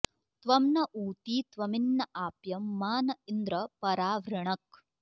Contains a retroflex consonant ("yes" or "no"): yes